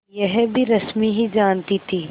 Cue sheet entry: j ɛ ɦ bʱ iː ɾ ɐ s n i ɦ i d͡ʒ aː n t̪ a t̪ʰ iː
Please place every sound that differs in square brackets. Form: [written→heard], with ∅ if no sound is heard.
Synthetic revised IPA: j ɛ ɦ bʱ [iː→i] ɾ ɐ s [n→m] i ɦ i d͡ʒ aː n t̪ [a→i] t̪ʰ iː